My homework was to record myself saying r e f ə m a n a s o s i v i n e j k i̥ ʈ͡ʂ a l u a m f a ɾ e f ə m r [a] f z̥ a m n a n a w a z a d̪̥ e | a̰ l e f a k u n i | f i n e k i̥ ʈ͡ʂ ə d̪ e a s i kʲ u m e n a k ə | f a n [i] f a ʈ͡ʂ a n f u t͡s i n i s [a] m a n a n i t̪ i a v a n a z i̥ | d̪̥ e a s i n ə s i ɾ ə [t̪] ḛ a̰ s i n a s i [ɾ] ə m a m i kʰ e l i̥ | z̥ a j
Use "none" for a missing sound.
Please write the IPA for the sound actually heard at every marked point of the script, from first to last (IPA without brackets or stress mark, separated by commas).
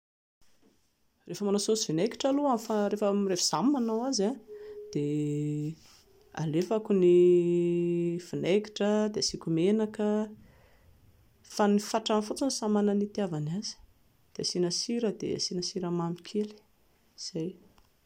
e, i, a, d̪, ɾ